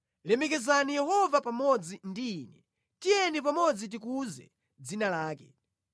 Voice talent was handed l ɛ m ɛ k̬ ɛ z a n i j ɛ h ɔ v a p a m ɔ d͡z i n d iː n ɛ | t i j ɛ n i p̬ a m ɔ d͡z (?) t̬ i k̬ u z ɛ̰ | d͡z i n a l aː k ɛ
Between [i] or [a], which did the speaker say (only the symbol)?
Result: i